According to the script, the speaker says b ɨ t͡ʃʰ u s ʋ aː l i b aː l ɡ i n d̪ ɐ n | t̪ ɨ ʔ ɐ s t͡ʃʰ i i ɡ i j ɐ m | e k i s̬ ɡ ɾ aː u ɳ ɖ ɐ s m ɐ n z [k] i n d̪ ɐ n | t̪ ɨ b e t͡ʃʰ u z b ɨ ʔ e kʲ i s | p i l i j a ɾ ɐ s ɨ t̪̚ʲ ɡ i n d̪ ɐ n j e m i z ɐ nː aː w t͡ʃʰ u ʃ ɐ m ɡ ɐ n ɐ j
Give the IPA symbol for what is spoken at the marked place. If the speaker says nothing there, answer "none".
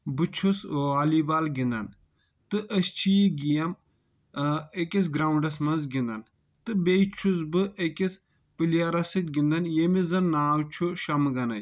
ɡ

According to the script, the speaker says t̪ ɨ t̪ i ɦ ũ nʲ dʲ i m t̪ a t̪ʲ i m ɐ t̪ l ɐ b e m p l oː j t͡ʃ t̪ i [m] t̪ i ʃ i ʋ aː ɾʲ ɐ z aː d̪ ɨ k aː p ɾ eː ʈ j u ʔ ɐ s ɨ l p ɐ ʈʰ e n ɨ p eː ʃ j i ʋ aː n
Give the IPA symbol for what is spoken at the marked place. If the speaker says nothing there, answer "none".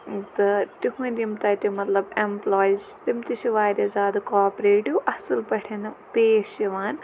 m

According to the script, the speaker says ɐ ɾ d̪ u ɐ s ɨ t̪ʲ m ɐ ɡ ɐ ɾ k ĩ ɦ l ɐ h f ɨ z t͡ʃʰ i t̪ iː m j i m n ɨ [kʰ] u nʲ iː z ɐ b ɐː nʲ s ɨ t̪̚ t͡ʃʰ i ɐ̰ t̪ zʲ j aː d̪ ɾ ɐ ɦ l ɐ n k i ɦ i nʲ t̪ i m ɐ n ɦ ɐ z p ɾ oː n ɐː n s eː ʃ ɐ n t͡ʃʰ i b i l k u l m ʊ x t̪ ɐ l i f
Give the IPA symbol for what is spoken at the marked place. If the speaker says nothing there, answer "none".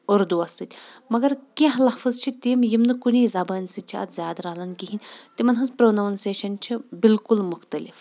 k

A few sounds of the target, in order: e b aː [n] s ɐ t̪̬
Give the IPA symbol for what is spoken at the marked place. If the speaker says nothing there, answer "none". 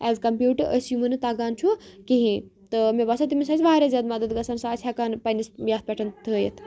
none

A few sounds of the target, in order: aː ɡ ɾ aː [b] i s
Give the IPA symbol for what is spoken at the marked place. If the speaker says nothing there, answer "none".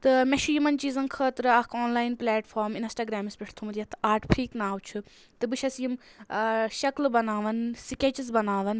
m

